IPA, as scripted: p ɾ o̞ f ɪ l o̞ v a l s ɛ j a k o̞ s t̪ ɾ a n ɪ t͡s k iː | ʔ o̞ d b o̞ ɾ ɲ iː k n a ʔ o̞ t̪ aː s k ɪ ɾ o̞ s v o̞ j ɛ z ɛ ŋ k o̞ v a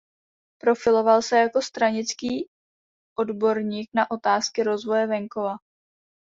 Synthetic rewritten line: p ɾ o̞ f ɪ l o̞ v a l s ɛ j a k o̞ s t̪ ɾ a ɲ ɪ t͡s k iː | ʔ o̞ d b o̞ ɾ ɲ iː k n a ʔ o̞ t̪ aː s k ɪ ɾ o̞ z v o̞ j ɛ v ɛ ŋ k o̞ v a